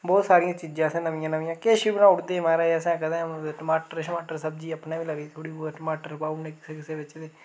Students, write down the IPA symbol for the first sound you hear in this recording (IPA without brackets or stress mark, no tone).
b